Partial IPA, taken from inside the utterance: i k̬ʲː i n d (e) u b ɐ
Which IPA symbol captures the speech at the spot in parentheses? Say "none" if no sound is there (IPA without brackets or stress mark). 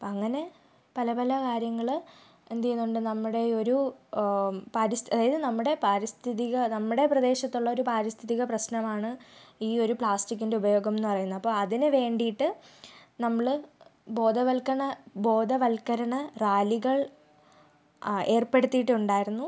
e